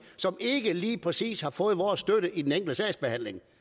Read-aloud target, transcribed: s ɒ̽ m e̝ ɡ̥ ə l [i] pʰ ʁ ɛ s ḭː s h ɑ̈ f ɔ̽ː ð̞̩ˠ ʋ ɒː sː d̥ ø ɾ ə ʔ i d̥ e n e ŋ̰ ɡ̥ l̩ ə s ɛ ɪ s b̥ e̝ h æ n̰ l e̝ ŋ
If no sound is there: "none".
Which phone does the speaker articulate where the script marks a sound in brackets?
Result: iː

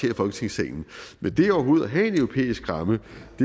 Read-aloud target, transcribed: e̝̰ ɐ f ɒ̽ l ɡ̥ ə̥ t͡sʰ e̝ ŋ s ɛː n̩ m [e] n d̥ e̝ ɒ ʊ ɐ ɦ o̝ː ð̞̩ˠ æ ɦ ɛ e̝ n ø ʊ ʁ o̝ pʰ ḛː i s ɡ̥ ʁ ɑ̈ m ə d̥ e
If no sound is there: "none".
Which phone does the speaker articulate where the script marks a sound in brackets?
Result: e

